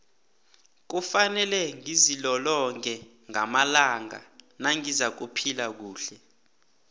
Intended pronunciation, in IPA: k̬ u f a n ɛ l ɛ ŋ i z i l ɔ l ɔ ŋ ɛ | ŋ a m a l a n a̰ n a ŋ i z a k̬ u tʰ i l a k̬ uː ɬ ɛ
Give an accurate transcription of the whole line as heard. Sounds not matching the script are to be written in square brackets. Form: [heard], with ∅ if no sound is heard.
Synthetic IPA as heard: k̬ u f a n ɛ l ɛ ŋ i z i l ɔ l ɔ ŋ ɛ | ŋ a m a l a [ŋ] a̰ n a ŋ i z a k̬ u [pʰ] i l a k̬ uː ɬ ɛ